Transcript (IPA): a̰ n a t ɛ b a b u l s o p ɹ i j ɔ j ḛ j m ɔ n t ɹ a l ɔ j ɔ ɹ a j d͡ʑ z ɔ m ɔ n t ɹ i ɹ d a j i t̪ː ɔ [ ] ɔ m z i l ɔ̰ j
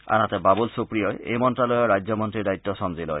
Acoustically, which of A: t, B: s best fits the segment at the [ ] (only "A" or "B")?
B